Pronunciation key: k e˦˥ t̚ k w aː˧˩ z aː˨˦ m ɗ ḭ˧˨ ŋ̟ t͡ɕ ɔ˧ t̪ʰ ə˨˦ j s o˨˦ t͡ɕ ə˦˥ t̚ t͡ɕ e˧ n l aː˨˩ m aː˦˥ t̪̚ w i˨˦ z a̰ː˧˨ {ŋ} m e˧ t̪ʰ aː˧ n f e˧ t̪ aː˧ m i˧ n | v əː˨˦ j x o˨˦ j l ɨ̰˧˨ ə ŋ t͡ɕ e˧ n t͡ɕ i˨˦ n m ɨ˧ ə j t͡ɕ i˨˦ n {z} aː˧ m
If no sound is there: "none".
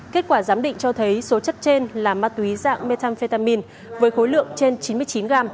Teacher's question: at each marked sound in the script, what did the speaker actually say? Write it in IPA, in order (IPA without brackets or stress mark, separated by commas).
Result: ŋ, ɣ